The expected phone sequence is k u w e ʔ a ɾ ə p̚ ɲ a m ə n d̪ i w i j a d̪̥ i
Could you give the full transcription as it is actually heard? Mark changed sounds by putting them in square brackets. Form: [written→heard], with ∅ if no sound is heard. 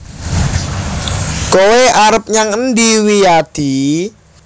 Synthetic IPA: k [u→o] w e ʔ a ɾ ə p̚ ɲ a [m→ŋ] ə n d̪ i w i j a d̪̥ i